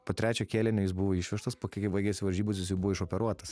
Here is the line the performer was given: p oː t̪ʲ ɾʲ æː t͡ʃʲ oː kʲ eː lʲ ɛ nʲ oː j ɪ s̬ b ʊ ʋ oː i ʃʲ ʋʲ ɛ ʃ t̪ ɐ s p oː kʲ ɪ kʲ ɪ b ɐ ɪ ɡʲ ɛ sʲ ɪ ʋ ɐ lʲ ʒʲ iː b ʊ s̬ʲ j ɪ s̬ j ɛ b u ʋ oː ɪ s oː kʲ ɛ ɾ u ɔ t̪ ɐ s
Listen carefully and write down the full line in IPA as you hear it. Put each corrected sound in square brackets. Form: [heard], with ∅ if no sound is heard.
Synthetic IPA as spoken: p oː t̪ʲ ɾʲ æː t͡ʃʲ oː kʲ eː lʲ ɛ nʲ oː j ɪ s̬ b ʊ ʋ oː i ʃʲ ʋʲ ɛ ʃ t̪ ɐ s p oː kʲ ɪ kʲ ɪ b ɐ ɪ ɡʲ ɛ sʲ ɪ ʋ ɐ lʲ ʒʲ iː b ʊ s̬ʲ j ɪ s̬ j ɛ b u ʋ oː ɪ [ʃ] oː [pʲ] ɛ ɾ u ɔ t̪ ɐ s